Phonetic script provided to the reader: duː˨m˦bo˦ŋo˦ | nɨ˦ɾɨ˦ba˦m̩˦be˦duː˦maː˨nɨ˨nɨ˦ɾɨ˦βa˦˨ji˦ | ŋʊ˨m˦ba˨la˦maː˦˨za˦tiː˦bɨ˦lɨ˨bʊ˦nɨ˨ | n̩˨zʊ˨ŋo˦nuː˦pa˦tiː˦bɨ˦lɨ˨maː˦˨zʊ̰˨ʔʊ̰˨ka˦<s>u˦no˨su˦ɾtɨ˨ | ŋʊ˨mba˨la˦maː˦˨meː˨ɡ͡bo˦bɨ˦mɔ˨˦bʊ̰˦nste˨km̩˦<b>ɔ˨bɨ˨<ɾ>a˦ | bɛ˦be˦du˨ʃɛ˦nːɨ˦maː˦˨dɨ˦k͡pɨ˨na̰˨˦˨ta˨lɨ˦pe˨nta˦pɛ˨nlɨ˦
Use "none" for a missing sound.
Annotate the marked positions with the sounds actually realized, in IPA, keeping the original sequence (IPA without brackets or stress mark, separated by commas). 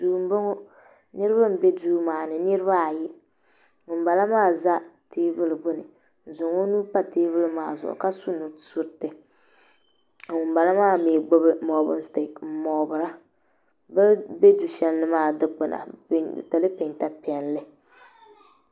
s, m, ɾ